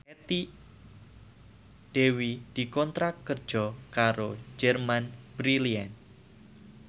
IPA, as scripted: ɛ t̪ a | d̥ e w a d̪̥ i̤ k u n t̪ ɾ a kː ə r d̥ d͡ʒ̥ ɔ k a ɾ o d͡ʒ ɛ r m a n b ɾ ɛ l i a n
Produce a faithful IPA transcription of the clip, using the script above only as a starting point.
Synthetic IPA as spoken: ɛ t̪ i | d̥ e w i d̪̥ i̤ k ɔ n t̪ ɾ a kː ə r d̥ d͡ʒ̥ ɔ k a ɾ o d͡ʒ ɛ r m a n b ɾ i l i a n